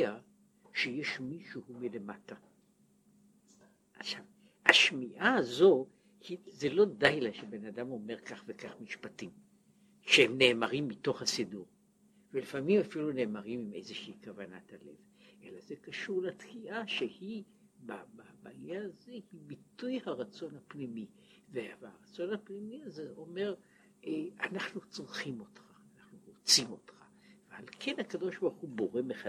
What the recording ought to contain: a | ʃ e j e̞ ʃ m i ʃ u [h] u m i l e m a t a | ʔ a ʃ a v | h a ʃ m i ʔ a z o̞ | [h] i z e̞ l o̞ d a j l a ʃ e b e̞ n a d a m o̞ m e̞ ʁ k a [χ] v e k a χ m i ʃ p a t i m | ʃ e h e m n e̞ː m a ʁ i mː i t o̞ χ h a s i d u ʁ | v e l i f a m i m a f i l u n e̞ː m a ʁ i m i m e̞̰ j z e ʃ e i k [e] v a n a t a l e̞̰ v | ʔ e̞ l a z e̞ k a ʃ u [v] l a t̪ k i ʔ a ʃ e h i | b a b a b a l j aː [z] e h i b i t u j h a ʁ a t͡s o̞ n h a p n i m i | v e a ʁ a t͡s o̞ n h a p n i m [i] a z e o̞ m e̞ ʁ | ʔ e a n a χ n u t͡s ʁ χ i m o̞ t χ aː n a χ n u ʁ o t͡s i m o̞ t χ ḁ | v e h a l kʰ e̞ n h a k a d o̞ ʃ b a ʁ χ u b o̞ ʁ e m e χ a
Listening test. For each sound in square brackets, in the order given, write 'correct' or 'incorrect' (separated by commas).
correct, correct, correct, incorrect, incorrect, correct, correct